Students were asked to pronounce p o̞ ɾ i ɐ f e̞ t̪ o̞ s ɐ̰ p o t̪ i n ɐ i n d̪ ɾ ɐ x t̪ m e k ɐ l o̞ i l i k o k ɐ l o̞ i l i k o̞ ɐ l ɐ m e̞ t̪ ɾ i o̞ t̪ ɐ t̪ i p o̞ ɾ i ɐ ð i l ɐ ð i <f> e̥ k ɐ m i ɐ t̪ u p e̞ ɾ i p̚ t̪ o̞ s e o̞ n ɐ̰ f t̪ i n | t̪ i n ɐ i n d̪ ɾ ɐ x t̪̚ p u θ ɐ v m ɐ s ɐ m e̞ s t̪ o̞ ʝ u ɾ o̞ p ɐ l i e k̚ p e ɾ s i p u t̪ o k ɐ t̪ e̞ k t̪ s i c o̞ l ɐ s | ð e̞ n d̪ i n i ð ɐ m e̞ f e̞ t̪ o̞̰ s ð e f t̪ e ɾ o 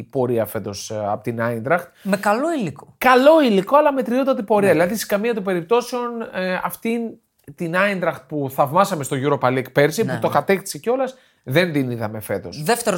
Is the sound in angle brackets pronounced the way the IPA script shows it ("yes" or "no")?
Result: no